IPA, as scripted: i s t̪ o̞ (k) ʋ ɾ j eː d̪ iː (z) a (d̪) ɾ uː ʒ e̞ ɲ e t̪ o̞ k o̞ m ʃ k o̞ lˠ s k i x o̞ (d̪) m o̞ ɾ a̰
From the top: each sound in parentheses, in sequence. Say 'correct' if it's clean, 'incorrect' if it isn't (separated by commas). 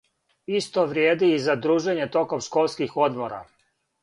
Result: incorrect, correct, correct, correct